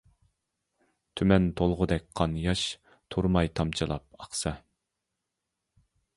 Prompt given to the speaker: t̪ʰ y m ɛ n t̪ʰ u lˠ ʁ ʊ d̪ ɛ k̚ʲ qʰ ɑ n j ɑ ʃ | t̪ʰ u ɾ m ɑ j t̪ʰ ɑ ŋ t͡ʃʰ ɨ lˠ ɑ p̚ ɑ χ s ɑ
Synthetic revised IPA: t̪ʰ y m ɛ n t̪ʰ o lˠ ʁ ʊ d̪ ɛ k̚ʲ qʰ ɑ n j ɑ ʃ | t̪ʰ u ɾ m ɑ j t̪ʰ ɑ m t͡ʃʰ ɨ lˠ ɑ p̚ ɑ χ s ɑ

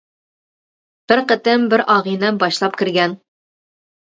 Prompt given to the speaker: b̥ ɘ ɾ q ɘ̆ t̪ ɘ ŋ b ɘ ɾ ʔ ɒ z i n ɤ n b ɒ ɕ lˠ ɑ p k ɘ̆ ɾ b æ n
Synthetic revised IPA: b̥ ɘ ɾ q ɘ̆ t̪ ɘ m b ɘ ɾ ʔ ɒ ʁ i n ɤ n b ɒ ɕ lˠ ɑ p k ɘ̆ ɾ ɡ æ n

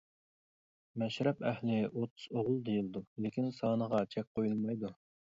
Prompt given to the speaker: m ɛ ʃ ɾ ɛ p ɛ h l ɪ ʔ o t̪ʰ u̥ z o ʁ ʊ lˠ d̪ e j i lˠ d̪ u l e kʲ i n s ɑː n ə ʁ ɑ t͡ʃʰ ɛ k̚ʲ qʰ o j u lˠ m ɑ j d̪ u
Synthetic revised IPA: m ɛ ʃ ɾ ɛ p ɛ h l ɪ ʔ o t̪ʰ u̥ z o ʁ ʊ lˠ d̪ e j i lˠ d̪ u l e kʲ i n s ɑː n ə ʁ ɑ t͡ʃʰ ɛ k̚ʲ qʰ o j u lˠ m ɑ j d̪ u

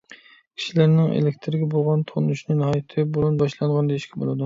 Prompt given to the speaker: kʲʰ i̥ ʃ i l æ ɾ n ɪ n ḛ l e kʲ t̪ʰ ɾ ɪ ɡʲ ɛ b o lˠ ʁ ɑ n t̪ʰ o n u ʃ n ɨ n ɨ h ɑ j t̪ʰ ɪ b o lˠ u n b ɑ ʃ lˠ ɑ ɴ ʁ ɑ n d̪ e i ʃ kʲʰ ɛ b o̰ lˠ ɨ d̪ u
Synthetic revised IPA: kʲʰ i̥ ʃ i l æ ɾ n ɪ ŋ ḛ l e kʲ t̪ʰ ɾ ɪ ɡʲ ɛ b o lˠ ʁ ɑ n t̪ʰ o n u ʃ n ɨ n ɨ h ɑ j t̪ʰ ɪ b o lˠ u n b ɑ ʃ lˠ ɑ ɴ ʁ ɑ n d̪ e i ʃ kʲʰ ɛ b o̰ lˠ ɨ d̪ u

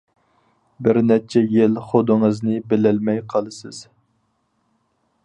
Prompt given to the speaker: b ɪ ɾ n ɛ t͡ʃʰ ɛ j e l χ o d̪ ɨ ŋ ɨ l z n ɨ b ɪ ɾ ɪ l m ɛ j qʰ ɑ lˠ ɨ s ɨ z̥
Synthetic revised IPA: b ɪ ɾ n ɛ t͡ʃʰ ɛ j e l χ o d̪ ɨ ŋ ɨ z n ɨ b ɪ l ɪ l m ɛ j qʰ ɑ lˠ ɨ s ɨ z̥

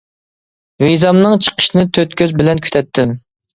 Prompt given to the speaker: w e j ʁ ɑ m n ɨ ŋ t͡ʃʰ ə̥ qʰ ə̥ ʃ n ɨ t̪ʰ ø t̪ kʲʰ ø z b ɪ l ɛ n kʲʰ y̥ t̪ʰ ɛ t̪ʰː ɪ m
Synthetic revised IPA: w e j z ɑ m n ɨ ŋ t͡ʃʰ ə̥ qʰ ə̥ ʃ n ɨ t̪ʰ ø t̪ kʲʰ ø z b ɪ l ɛ n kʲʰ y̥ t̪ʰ ɛ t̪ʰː ɪ m

